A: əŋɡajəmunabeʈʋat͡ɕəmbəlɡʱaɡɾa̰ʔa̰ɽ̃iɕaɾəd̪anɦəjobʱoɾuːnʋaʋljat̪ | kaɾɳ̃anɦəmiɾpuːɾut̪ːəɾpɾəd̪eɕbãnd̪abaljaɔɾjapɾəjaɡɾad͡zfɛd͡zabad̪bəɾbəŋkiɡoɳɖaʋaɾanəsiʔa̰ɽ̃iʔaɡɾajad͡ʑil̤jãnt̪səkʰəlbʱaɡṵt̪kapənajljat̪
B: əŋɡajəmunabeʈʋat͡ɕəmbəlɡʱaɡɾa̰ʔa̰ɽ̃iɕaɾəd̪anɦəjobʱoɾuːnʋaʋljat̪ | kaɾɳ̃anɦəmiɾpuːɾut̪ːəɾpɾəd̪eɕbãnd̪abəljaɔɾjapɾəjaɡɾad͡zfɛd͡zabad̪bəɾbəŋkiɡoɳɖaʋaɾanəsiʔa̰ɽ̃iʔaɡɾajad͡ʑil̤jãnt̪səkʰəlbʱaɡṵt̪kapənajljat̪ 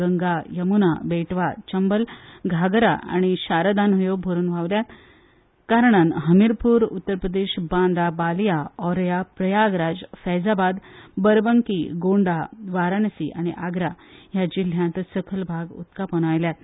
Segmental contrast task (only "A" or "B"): A